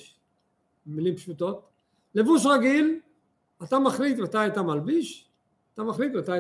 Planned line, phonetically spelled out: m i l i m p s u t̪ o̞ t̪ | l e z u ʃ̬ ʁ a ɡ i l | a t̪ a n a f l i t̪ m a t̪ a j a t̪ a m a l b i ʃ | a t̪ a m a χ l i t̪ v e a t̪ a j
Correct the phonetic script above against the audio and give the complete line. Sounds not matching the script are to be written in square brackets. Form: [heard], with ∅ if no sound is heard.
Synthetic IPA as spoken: m i l i m p [ʃ] u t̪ o̞ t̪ | l e [v] u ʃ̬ ʁ a ɡ i l | a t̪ a [m] a [χ] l i t̪ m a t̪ a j a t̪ a m a l b i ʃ | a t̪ a m a χ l i t̪ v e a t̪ a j